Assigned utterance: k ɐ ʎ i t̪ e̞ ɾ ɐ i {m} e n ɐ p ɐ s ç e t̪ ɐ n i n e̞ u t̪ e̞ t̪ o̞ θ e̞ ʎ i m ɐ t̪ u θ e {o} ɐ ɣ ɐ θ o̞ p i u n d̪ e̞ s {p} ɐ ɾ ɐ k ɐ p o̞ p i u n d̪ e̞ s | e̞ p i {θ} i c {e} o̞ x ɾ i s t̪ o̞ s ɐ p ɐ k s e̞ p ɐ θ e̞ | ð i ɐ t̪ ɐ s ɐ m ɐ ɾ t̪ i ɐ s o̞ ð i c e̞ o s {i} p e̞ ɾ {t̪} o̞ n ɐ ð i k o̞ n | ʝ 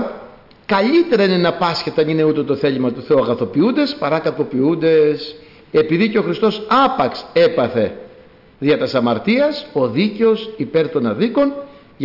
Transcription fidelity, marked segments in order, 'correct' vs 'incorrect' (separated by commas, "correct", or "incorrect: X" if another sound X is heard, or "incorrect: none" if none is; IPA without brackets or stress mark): incorrect: n, incorrect: u, correct, incorrect: ð, correct, correct, correct